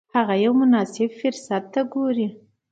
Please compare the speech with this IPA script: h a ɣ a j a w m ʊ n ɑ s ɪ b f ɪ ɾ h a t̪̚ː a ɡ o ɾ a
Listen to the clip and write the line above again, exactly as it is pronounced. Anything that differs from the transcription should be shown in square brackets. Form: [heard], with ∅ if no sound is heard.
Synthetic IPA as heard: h a ɣ a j a w m ʊ n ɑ s ɪ b f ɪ ɾ [s] a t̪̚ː a ɡ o ɾ [i]